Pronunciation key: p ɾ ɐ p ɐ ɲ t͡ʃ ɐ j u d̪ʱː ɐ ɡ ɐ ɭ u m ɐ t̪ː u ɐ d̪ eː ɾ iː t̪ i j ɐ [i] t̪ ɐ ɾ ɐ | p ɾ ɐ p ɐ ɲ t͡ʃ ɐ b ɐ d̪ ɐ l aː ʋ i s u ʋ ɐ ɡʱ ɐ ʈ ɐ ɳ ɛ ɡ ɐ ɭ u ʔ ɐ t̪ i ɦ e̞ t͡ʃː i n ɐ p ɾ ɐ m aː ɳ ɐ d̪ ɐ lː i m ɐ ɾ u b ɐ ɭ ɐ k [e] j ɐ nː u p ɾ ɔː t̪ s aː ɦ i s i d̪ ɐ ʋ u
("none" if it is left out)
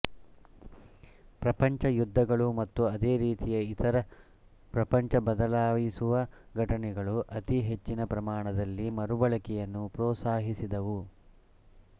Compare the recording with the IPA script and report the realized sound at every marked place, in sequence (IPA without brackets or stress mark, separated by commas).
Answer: i, ɛ